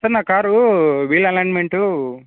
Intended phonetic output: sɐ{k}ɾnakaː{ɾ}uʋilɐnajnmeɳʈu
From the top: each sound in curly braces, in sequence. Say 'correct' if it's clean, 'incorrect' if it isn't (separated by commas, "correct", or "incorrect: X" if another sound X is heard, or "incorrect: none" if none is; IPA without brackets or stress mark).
incorrect: none, correct